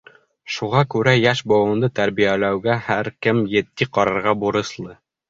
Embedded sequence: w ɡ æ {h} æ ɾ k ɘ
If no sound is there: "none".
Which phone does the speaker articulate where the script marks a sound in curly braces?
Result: h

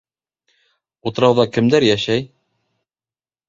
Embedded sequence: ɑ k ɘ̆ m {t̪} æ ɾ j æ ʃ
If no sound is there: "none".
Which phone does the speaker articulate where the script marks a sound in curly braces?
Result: d̪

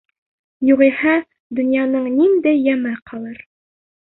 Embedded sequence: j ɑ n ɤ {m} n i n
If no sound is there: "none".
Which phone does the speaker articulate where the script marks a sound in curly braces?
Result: ɴ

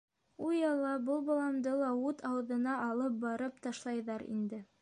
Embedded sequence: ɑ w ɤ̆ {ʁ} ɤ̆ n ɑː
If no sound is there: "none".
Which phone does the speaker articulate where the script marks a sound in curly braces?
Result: ð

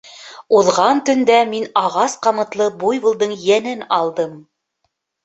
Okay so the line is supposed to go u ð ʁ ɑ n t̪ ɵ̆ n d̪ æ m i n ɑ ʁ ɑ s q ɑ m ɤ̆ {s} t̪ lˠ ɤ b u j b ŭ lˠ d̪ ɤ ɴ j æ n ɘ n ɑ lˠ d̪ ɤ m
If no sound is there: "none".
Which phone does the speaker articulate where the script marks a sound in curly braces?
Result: none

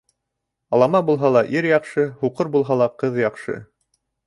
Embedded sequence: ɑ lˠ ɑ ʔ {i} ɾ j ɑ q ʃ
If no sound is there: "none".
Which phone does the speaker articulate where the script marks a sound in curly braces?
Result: i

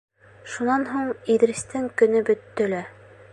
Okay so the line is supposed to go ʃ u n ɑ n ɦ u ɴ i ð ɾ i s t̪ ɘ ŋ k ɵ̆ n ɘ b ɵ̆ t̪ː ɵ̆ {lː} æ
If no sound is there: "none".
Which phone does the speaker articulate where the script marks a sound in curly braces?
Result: l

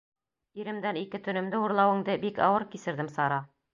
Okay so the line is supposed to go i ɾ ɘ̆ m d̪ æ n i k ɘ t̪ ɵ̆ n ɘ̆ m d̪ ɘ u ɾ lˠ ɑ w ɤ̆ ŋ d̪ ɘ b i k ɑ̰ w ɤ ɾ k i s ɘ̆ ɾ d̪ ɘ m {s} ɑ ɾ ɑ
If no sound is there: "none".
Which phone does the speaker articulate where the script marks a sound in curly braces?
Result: s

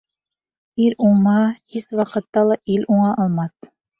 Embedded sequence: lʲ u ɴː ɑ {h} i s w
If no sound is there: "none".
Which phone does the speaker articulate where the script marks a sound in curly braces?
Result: h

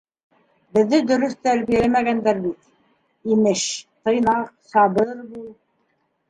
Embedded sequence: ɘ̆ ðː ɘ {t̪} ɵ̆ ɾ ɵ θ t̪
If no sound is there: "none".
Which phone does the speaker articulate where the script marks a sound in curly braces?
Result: d̪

